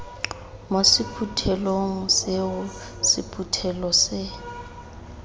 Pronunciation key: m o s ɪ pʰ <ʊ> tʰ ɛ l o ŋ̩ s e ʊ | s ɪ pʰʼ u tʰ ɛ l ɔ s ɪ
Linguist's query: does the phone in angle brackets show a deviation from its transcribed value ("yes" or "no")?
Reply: yes